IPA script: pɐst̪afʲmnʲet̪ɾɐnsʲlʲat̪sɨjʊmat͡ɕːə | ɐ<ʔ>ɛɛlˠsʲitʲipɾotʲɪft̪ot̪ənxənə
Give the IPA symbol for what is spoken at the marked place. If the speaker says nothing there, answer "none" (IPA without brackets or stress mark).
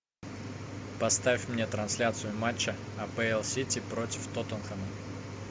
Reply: p